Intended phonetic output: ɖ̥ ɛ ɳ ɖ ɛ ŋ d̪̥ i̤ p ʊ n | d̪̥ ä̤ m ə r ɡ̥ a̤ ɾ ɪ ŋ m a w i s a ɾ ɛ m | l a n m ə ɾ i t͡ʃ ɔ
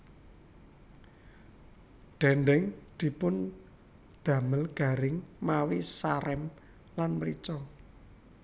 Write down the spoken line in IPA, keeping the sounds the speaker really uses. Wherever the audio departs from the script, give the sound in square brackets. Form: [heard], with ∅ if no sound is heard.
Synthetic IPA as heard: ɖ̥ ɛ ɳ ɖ ɛ ŋ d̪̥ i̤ p ʊ n | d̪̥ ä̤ m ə [l] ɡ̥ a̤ ɾ ɪ ŋ m a w i s a ɾ ɛ m | l a n m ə ɾ i t͡ʃ ɔ